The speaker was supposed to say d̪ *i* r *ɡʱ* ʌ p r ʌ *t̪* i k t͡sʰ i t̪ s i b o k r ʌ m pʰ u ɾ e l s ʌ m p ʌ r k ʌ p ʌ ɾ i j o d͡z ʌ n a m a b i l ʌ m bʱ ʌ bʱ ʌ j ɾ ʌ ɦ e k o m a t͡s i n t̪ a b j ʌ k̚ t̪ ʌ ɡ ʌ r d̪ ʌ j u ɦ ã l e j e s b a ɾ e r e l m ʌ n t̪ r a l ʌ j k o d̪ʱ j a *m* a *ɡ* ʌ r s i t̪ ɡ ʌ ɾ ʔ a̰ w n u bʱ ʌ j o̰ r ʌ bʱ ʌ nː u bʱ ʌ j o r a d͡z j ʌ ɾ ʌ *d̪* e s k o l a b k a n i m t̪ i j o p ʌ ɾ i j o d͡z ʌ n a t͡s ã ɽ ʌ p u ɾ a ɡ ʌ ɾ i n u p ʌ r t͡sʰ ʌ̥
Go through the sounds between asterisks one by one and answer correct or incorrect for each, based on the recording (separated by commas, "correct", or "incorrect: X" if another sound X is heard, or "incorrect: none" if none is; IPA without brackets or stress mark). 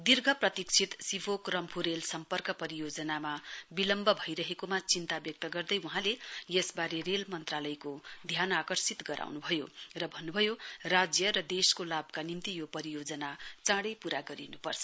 correct, correct, correct, incorrect: n, incorrect: k, correct